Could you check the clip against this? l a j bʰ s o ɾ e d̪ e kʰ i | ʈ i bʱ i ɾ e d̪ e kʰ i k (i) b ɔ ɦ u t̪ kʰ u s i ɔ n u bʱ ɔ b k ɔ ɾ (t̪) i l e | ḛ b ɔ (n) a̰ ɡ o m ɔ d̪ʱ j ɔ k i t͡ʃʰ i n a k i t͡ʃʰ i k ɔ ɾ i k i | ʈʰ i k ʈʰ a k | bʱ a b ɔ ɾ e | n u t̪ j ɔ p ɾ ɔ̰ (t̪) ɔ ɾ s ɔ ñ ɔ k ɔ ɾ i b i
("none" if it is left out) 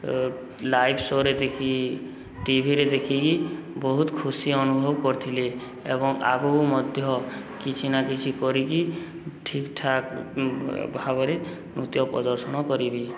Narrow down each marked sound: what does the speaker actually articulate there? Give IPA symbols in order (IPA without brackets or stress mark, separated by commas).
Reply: i, t̪ʰ, ŋ, d̪